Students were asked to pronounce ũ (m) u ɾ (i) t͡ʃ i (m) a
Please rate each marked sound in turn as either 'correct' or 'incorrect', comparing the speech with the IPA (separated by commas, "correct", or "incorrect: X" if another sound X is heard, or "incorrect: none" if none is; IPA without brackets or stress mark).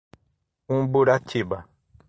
incorrect: b, incorrect: a, incorrect: b